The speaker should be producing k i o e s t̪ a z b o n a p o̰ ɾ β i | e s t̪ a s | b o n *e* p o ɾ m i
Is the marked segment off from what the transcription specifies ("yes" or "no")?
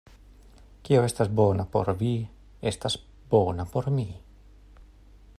yes